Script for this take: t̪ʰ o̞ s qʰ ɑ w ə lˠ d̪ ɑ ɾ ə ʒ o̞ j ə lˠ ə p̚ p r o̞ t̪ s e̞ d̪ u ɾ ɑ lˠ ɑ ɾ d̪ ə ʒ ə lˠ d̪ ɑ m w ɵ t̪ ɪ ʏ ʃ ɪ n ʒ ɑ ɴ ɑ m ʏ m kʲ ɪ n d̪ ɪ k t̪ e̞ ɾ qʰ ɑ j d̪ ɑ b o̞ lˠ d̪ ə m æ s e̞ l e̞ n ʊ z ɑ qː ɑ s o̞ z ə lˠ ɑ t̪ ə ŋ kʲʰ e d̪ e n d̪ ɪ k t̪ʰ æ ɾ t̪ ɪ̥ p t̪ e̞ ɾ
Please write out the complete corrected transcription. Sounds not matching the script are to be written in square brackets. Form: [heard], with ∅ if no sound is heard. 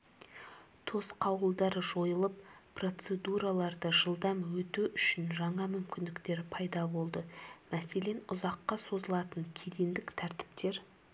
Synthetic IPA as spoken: t̪ʰ o̞ s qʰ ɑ w ə lˠ d̪ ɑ ɾ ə ʒ o̞ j ə lˠ ə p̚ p r o̞ t̪ s e̞ d̪ u ɾ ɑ lˠ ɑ ɾ d̪ ə ʒ ə lˠ d̪ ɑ m w ɵ t̪ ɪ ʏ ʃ ɪ n ʒ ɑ ɴ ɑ m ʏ m kʲ ɪ n d̪ ɪ k t̪ e̞ ɾ [pʰ] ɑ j d̪ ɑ b o̞ lˠ d̪ ə m æ s e̞ l e̞ n ʊ z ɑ qː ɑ s o̞ z ə lˠ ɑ t̪ ə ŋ kʲʰ e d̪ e n d̪ ɪ k t̪ʰ æ ɾ t̪ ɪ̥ p t̪ e̞ ɾ

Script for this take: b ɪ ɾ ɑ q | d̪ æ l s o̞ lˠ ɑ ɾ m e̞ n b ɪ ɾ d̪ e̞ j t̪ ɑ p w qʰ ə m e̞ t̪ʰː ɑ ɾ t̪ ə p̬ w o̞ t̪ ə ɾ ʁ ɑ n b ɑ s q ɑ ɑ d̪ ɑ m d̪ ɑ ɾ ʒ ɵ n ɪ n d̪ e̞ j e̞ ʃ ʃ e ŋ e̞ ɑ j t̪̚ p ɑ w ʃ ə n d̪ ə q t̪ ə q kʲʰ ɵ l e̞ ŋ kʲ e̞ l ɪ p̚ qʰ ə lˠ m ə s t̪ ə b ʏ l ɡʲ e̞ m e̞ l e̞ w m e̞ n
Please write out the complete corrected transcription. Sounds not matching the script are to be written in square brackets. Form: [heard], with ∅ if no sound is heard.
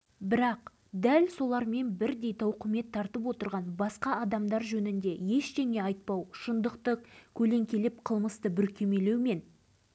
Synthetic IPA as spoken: b ɪ ɾ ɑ q | d̪ æ l s o̞ lˠ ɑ ɾ m e̞ n b ɪ ɾ d̪ e̞ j t̪ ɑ [∅] w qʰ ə m e̞ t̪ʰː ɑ ɾ t̪ ə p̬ w o̞ t̪ ə ɾ ʁ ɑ n b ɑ s q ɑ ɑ d̪ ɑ m d̪ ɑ ɾ ʒ ɵ n ɪ n d̪ e̞ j e̞ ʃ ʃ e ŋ e̞ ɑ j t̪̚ p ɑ w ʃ ə n d̪ ə q t̪ ə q kʲʰ ɵ l e̞ ŋ kʲ e̞ l ɪ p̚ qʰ ə lˠ m ə s t̪ ə b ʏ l [kʲ] e̞ m e̞ l e̞ w m e̞ n

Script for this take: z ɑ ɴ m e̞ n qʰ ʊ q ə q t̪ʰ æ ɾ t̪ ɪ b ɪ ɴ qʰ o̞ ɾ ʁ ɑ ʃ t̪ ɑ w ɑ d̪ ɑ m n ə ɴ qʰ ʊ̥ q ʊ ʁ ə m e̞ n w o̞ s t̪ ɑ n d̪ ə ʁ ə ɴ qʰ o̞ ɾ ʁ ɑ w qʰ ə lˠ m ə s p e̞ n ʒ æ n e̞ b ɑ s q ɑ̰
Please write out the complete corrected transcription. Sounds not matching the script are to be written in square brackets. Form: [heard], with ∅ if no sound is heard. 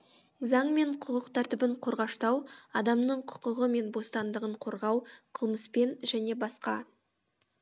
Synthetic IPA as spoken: z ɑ ɴ m e̞ [ɴ] qʰ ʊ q ə q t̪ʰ æ ɾ t̪ ɪ b ɪ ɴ qʰ o̞ ɾ ʁ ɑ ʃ t̪ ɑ w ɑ d̪ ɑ m n ə ɴ qʰ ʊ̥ q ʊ ʁ ə m e̞ n [b] o̞ s t̪ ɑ n d̪ ə ʁ ə ɴ qʰ o̞ ɾ ʁ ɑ w qʰ ə lˠ m ə s p e̞ n ʒ æ n e̞ b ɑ s q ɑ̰

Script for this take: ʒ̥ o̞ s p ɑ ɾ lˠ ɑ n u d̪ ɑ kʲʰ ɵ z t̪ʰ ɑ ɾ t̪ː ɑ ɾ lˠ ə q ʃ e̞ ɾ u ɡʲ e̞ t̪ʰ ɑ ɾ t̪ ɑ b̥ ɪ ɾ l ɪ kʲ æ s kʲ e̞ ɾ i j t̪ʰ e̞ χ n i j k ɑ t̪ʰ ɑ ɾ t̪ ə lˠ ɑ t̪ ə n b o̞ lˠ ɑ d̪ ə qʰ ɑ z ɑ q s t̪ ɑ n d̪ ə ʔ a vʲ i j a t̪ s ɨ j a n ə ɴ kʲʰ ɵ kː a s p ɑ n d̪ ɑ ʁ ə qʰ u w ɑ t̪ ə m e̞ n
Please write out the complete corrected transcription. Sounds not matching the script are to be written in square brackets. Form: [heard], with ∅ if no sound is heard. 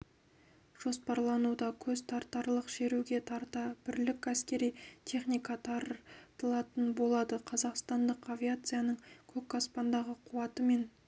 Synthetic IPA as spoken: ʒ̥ o̞ s p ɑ ɾ lˠ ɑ n u d̪ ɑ kʲʰ ɵ z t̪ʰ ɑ ɾ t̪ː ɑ ɾ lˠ ə q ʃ e̞ ɾ u ɡʲ e̞ t̪ʰ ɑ ɾ t̪ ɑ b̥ ɪ ɾ l ɪ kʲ æ s kʲ e̞ ɾ i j t̪ʰ e̞ χ n i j k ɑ t̪ʰ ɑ ɾ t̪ ə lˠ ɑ t̪ ə n b o̞ lˠ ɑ d̪ ə qʰ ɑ z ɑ q s t̪ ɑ n d̪ ə [q] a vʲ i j a t̪ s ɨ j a n ə ɴ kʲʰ ɵ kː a s p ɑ n d̪ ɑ ʁ ə qʰ u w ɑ t̪ ə m e̞ n

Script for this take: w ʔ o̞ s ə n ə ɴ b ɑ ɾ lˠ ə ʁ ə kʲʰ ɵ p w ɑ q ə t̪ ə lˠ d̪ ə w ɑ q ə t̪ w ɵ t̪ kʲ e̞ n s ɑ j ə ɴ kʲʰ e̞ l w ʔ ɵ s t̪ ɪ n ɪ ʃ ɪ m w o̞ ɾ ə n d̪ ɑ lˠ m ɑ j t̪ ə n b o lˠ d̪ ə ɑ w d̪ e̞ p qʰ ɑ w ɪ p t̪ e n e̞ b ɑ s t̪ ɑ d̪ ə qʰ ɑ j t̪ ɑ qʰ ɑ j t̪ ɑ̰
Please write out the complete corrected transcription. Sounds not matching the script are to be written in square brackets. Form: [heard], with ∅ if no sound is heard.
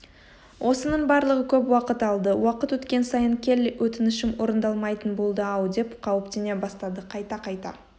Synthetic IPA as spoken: w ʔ o̞ s ə n ə ɴ b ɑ ɾ lˠ ə ʁ ə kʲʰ ɵ p w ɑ q ə t̪ [ɑ] lˠ d̪ ə w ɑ q ə t̪ w ɵ t̪ kʲ e̞ n s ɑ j ə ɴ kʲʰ e̞ l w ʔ ɵ [∅] t̪ ɪ n ɪ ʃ ɪ m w o̞ ɾ ə n d̪ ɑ lˠ m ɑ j t̪ ə n b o lˠ d̪ ə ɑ w d̪ e̞ p qʰ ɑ w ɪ p t̪ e n e̞ b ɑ s t̪ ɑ d̪ ə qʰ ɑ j t̪ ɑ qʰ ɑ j t̪ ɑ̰

